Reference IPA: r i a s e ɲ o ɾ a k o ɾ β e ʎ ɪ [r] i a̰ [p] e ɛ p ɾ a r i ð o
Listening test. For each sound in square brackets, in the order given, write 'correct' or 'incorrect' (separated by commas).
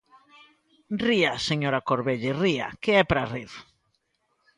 correct, incorrect